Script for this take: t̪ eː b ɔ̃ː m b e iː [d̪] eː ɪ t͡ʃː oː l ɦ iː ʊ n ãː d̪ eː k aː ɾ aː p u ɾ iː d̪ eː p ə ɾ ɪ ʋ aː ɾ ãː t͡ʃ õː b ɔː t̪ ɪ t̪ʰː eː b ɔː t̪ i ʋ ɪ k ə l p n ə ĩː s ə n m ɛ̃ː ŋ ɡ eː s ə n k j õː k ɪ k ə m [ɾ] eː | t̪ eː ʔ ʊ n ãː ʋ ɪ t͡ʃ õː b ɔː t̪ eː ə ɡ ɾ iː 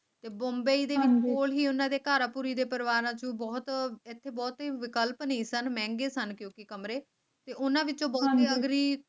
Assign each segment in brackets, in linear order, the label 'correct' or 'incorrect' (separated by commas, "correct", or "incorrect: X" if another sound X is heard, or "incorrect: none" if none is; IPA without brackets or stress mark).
correct, correct